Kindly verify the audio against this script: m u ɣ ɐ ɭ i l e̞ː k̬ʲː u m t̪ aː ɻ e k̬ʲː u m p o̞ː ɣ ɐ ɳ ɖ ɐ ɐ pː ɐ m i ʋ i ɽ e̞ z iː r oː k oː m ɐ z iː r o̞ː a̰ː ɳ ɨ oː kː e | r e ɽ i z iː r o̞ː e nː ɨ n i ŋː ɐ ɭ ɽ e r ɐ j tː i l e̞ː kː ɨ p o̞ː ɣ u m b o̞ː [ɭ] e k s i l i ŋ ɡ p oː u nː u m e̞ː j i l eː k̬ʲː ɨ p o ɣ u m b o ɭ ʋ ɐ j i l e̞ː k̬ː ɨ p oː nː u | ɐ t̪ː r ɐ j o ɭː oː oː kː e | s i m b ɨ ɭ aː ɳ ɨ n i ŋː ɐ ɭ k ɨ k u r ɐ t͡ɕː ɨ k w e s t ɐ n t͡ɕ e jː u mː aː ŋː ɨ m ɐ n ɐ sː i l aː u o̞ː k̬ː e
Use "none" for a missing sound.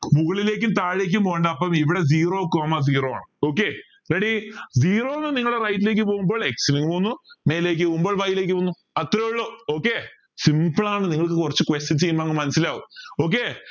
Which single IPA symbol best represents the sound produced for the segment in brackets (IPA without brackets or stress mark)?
ɭ